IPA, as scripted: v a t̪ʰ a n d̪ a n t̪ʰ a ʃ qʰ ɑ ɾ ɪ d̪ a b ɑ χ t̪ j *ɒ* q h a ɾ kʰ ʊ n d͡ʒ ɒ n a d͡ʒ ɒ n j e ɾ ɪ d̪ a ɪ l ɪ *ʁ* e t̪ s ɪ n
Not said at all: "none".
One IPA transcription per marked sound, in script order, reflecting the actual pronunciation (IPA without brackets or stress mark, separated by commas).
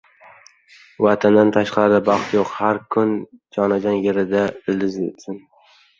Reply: o, z